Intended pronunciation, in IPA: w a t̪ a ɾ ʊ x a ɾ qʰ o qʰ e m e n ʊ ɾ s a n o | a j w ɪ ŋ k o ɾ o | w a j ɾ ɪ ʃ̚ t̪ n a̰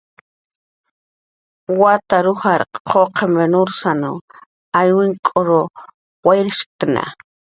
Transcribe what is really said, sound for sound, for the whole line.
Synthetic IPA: w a t̪ a ɾ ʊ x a ɾ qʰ o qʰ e m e n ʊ ɾ s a n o | a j w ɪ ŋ kʼ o ɾ o | w a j ɾ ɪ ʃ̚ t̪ n a̰